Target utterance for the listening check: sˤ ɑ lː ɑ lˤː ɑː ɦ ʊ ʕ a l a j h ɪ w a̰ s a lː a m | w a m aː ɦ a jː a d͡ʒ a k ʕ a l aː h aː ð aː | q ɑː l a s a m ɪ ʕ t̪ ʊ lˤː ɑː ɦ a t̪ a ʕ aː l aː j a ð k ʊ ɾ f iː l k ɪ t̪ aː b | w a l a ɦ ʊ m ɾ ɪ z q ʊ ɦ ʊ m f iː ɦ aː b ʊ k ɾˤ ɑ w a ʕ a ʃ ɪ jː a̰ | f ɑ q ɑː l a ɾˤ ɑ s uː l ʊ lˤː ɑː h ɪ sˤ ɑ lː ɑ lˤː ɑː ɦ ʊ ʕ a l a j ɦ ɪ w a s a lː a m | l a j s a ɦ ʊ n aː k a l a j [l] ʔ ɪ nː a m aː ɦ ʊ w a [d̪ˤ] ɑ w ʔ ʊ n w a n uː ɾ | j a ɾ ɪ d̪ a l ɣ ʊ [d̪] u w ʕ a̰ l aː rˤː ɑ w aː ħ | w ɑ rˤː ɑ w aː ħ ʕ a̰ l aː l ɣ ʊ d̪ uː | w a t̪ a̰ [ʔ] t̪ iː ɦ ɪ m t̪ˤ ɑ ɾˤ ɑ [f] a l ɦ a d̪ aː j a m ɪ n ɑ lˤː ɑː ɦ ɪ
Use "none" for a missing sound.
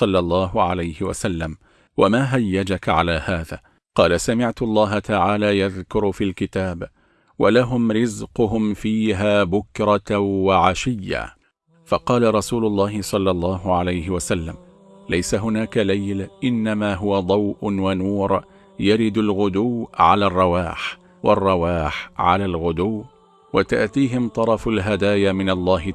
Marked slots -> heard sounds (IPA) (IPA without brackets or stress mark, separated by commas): l, d̪ˤ, d̪, ʔ, f